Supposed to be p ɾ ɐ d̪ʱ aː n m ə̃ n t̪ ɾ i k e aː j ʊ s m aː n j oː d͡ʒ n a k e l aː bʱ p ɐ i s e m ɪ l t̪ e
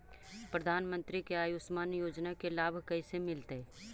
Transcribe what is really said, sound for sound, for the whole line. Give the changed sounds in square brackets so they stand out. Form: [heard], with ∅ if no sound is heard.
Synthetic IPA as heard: p ɾ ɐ d̪ʱ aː n m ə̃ n t̪ ɾ i k e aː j ʊ s m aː n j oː d͡ʒ n a k e l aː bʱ [k] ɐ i s e m ɪ l t̪ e